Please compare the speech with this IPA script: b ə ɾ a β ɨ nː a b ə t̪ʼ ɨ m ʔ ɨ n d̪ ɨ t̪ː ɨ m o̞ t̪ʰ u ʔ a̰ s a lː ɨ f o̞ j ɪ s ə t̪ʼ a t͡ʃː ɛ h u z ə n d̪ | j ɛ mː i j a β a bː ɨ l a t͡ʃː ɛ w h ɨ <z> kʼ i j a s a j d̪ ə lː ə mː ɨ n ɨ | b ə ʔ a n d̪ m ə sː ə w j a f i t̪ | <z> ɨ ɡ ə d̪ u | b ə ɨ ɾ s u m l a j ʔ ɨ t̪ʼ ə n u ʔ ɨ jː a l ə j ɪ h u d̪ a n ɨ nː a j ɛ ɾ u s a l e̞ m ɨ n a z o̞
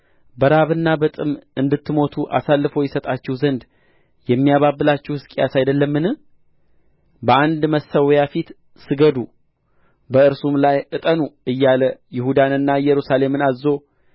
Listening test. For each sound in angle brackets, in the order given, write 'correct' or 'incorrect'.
incorrect: s, incorrect: s

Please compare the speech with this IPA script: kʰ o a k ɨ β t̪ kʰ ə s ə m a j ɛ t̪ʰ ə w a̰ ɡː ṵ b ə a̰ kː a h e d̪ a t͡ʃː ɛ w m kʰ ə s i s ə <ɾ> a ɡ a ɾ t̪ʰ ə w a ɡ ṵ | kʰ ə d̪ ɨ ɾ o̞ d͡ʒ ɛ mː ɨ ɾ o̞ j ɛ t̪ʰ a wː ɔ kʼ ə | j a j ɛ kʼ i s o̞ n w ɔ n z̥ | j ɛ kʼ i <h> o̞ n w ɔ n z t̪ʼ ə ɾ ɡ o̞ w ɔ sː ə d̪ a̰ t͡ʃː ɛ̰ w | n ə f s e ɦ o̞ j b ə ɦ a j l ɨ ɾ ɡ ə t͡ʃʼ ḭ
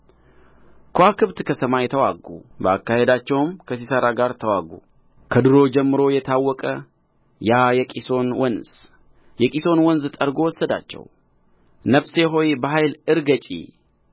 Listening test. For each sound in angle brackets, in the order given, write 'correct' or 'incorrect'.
correct, incorrect: s

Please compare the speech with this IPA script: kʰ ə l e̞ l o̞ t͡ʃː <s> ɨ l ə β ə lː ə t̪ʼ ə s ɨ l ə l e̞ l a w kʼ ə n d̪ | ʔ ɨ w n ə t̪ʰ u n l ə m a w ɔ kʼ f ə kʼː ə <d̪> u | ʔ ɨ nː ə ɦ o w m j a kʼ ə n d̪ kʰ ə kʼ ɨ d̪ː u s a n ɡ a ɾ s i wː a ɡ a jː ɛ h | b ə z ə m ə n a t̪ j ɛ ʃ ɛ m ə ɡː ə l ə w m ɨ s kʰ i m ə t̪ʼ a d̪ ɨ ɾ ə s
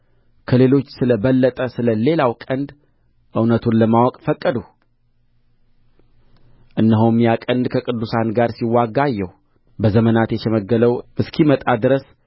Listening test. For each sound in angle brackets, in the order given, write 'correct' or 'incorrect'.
correct, correct

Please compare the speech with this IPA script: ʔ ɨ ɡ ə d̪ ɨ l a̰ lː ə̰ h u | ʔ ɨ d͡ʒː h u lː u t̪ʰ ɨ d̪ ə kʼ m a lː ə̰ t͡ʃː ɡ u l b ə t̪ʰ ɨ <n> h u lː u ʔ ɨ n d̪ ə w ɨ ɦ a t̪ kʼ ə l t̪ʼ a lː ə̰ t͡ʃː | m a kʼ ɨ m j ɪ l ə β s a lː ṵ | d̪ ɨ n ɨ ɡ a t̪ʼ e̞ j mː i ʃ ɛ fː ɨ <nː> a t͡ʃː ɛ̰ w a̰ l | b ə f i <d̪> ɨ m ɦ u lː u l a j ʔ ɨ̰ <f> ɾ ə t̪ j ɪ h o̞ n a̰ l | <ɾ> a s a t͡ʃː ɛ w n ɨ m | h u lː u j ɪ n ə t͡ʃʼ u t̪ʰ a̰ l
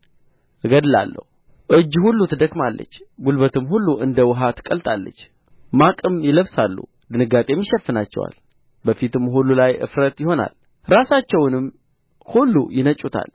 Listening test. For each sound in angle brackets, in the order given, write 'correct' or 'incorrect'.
incorrect: m, incorrect: n, incorrect: t̪, correct, correct

